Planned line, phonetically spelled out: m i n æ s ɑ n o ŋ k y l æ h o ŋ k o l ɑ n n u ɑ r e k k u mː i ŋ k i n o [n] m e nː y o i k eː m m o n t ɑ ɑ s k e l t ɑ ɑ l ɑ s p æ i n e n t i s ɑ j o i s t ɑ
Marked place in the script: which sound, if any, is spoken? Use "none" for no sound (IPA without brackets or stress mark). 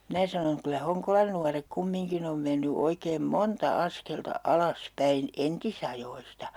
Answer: m